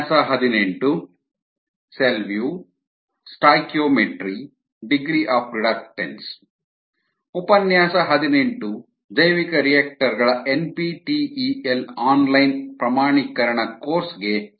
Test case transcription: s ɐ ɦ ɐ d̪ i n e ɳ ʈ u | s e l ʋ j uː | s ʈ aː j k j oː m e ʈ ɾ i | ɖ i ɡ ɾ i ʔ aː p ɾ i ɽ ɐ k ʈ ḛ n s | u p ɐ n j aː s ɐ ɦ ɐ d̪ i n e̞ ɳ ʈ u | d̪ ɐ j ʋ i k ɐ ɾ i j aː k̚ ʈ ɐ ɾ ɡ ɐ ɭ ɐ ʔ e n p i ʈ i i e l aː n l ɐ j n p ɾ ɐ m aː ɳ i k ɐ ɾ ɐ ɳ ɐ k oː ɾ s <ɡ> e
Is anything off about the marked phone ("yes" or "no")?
no